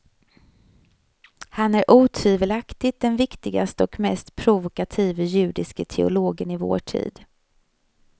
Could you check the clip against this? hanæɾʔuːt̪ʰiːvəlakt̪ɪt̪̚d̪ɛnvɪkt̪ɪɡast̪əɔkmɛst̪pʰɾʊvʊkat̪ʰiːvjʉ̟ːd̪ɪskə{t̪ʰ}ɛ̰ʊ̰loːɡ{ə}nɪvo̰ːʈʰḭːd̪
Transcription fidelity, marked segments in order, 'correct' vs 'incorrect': correct, correct

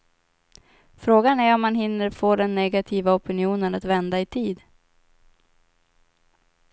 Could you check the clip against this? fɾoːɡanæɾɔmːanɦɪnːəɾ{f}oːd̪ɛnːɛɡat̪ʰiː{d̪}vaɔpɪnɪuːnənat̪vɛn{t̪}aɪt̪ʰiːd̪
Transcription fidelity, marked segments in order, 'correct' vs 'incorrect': correct, incorrect, incorrect

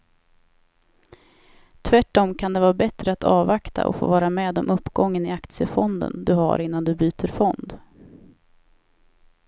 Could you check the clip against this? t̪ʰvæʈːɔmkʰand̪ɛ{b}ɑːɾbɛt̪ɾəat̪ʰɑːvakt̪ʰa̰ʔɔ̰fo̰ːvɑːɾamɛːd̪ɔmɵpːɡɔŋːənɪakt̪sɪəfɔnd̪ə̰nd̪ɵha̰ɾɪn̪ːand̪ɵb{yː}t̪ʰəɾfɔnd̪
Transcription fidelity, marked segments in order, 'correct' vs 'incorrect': incorrect, correct

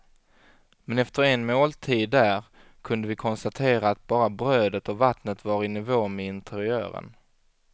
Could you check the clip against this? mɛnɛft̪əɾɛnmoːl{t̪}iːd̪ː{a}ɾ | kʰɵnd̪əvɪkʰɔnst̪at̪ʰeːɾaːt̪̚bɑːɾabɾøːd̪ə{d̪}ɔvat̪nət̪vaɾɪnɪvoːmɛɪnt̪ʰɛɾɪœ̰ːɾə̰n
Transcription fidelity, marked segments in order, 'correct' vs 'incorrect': incorrect, incorrect, incorrect

